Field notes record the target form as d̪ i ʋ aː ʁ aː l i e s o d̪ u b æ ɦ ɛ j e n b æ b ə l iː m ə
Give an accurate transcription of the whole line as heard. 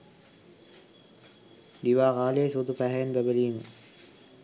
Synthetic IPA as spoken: d̪ i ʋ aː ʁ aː l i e s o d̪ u p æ ɦ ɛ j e n b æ b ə l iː m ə